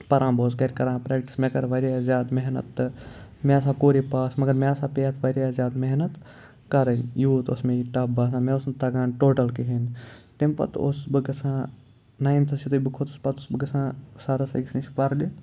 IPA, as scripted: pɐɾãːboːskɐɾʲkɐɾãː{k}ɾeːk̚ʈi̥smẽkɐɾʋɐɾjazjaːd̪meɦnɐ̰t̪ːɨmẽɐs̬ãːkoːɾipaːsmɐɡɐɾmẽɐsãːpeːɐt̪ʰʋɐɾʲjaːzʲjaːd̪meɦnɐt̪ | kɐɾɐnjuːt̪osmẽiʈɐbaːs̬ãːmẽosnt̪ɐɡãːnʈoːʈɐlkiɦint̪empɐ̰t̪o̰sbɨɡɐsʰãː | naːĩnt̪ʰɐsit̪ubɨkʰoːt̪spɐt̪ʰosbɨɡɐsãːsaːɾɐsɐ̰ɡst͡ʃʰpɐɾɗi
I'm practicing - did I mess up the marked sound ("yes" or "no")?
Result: yes